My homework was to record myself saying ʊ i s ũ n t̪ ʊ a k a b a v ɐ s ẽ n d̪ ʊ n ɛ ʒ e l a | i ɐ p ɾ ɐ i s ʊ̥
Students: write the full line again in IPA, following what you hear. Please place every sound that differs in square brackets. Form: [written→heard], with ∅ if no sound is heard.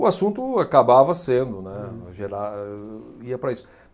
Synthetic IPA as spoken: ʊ [i→a] s ũ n t̪ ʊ a k a b a v ɐ s ẽ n d̪ ʊ n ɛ ʒ e [l→ɾ] a | i ɐ p ɾ ɐ i s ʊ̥